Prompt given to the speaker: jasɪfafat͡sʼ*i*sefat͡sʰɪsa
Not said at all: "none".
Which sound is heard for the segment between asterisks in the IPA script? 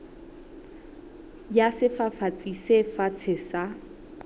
i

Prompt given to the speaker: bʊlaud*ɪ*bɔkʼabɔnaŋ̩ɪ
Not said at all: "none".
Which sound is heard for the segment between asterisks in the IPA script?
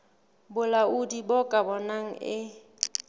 i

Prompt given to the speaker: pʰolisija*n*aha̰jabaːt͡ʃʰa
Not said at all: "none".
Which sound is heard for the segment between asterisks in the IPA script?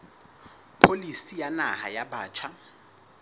n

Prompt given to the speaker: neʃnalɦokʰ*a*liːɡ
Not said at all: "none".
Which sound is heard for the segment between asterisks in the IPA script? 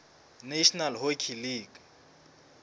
i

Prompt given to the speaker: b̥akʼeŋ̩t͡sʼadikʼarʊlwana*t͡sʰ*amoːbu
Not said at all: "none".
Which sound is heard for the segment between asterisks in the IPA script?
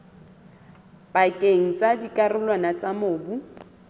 t͡s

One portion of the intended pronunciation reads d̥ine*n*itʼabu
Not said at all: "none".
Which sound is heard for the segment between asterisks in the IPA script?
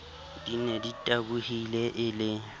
d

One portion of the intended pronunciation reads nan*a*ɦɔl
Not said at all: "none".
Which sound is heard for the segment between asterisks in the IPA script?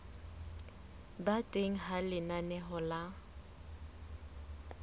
ɛ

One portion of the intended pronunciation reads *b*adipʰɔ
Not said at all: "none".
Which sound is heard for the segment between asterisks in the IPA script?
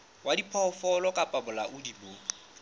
w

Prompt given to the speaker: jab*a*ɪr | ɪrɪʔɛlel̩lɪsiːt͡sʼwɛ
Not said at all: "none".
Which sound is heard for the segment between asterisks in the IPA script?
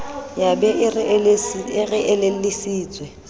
ɛ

